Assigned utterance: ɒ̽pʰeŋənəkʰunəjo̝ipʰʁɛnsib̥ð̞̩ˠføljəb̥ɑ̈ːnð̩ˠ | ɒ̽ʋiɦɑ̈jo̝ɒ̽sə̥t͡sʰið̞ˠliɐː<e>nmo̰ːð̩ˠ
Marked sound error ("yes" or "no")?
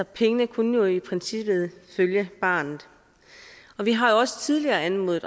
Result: yes